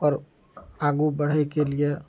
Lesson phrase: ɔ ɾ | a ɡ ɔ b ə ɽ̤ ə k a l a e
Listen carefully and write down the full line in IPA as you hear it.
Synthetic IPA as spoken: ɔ ɾ | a ɡ u b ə ɽ̤ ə k e l i e